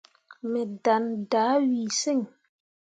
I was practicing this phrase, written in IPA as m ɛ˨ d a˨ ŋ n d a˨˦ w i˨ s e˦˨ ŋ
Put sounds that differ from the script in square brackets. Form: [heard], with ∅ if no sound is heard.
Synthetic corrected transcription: m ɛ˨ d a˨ [∅] n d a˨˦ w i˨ s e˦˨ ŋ